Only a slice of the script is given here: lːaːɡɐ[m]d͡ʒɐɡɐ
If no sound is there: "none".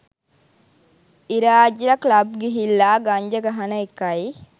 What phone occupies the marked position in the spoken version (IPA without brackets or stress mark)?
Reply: ɲ